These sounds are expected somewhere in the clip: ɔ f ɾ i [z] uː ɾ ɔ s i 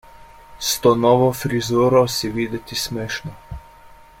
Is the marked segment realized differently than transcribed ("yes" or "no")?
no